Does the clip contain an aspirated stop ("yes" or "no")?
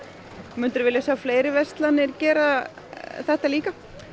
no